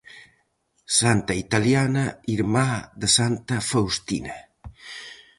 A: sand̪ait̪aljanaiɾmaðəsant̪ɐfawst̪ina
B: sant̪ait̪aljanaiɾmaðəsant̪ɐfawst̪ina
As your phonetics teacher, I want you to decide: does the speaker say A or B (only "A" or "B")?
B